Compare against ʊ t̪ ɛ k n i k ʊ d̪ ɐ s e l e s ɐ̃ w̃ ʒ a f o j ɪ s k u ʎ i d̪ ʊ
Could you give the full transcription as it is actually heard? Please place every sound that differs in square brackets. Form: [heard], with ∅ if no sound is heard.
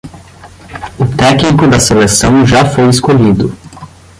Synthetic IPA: ʊ t̪ ɛ k n i k ʊ d̪ ɐ s e l e s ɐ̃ w̃ ʒ a f o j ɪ s k [o] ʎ i d̪ ʊ

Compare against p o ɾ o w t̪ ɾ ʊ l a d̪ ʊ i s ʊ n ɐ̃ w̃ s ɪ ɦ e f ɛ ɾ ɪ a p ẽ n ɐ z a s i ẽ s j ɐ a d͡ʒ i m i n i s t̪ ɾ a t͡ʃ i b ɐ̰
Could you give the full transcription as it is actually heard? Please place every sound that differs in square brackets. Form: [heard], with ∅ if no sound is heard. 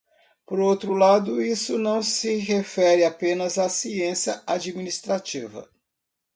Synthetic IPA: p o ɾ o w t̪ ɾ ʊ l a d̪ ʊ i s ʊ n ɐ̃ w̃ s ɪ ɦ e f ɛ ɾ ɪ a p ẽ n ɐ z a s i ẽ s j ɐ a d͡ʒ i m i n i s t̪ ɾ a t͡ʃ i [v] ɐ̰

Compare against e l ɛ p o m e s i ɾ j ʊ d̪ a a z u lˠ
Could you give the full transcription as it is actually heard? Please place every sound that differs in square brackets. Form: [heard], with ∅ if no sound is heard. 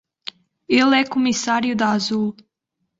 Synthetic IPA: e l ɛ [k] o m [i] s [a] ɾ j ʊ d̪ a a z u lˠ

